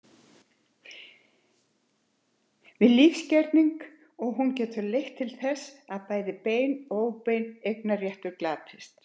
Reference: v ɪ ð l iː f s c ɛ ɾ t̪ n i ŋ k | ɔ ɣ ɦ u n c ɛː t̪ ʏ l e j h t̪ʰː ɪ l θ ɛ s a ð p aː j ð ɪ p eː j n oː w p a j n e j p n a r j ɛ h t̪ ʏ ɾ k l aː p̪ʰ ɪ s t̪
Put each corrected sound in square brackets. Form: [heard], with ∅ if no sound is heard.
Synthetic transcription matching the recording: v ɪ ð l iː f s c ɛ ɾ t̪ n i ŋ k | ɔ ɣ ɦ u n c ɛː t̪ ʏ l e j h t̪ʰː ɪ l θ ɛ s a ð p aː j ð ɪ p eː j n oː w p [e] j n e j [k] n a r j ɛ h t̪ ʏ ɾ k l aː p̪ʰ ɪ s t̪

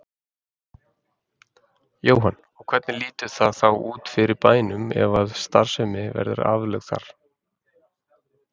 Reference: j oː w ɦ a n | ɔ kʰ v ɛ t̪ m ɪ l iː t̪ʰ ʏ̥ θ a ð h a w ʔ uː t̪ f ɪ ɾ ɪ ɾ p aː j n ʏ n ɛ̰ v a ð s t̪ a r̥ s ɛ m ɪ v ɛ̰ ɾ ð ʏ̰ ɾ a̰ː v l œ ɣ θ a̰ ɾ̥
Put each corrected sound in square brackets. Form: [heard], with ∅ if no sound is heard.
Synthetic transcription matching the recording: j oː w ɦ a n | ɔ kʰ v ɛ t̪ [n] ɪ l iː [t̪] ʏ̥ θ a ð [θ] a w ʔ uː t̪ f ɪ ɾ ɪ ɾ p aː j n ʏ [m] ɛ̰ v a ð s t̪ a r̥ s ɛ m ɪ v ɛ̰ ɾ ð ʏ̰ ɾ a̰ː v l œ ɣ θ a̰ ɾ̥

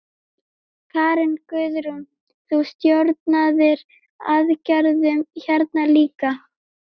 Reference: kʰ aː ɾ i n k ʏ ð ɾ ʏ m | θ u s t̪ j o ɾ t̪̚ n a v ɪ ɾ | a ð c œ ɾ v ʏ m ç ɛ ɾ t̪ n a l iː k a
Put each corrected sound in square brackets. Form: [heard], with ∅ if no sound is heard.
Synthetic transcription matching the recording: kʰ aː ɾ [ɪ] n k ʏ ð ɾ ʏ m | θ u s t̪ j o ɾ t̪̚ n a [ð] ɪ ɾ | a ð c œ ɾ [ð] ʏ m ç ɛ ɾ t̪ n a l iː k a

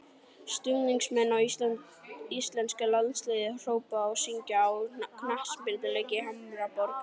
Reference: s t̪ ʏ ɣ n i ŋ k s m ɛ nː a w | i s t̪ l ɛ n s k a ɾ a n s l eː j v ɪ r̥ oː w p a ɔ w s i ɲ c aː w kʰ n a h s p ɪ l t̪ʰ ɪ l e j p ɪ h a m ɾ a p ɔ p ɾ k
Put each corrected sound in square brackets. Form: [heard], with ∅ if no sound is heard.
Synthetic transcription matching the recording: s t̪ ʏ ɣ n i ŋ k s m ɛ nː a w | i s t̪ l ɛ n s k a [l] a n s l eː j [ð] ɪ r̥ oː w p a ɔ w s i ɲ c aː w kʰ n a h s p ɪ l [t̪] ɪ l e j [c] ɪ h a m ɾ a p ɔ [∅] ɾ k

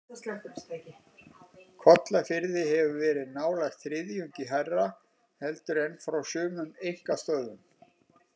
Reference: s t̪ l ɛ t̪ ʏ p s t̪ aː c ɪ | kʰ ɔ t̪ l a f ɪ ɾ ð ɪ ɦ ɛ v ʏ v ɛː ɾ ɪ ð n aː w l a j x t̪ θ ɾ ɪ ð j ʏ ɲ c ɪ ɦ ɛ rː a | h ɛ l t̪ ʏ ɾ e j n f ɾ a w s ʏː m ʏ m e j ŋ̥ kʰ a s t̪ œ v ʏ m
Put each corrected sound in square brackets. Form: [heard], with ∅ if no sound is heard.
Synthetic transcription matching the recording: s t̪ l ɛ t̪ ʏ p s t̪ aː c ɪ | kʰ ɔ t̪ l a f ɪ ɾ ð ɪ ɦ ɛ v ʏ v ɛː ɾ ɪ ð n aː w l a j x t̪ θ ɾ ɪ ð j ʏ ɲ c ɪ ɦ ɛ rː a | h ɛ l t̪ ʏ ɾ e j n f ɾ a w s ʏː m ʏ m e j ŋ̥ [k] a s t̪ œ [ð] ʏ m

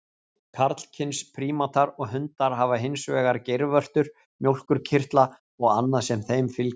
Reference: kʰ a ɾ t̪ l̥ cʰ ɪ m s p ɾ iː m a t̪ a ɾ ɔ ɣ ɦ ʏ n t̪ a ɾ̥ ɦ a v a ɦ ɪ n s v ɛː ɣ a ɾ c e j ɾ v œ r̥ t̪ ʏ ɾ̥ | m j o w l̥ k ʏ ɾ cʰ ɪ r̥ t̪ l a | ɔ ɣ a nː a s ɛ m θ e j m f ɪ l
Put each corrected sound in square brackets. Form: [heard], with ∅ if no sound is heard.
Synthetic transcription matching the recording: kʰ a ɾ t̪ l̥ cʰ ɪ [n] s [pʰ] ɾ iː m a t̪ a ɾ ɔ ɣ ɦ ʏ n t̪ a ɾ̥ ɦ a v a ɦ ɪ n s v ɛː ɣ a ɾ c e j ɾ v œ r̥ t̪ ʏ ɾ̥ | m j o w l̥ k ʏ ɾ cʰ ɪ r̥ t̪ l a | ɔ ɣ a nː a s ɛ m θ e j m f ɪ l

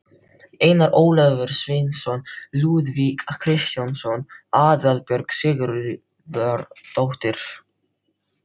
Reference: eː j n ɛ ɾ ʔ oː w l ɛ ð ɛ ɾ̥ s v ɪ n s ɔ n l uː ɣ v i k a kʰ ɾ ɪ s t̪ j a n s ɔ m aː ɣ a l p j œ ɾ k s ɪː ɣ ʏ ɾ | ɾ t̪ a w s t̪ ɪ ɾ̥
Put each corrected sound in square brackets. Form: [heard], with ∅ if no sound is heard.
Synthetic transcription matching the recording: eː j n [a] ɾ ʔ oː w l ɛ [v] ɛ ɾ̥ s v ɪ n s ɔ n l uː [ð] v i k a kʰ ɾ ɪ s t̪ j a n s ɔ [n] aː [ð] a l p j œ ɾ k s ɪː ɣ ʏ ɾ | ɾ t̪ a w [h] t̪ ɪ ɾ̥

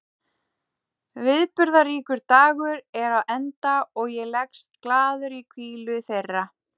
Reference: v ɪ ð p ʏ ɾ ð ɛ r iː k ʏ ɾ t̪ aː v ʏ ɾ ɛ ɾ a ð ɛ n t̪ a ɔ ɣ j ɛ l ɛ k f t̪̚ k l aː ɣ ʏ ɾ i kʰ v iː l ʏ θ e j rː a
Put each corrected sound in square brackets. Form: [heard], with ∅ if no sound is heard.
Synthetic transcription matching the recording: v ɪ ð p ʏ ɾ ð [a] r iː k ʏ ɾ t̪ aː [ɣ] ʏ ɾ ɛ ɾ a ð ɛ n t̪ a ɔ ɣ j ɛ l ɛ k [s] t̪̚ k l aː [ð] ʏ ɾ i kʰ v iː l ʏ θ e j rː a

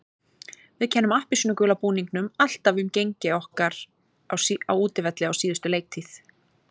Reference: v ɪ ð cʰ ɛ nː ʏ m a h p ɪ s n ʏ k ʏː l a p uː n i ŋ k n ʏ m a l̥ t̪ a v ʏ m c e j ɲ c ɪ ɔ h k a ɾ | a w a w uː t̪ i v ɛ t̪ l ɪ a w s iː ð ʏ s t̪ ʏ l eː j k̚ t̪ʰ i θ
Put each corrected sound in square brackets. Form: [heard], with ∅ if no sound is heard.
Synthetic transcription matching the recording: v ɪ ð cʰ ɛ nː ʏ m a h p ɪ s n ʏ k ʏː l a p uː n i ŋ k n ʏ m a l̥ t̪ a v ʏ m c e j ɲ c ɪ ɔ h k a ɾ | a w a w uː t̪ [ɪ] v ɛ t̪ l ɪ a w s iː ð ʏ s t̪ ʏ l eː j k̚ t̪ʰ i θ

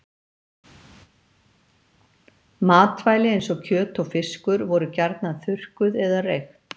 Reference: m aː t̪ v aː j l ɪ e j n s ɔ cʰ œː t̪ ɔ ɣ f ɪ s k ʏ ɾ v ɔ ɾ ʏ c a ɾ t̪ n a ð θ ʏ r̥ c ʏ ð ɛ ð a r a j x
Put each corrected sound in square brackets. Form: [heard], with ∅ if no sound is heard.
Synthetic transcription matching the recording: m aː t̪ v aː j l ɪ e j n s ɔ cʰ œː t̪ ɔ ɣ f ɪ s k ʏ ɾ v ɔ ɾ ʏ c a ɾ t̪ n a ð θ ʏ r̥ [k] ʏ ð ɛ ð a r [e] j x

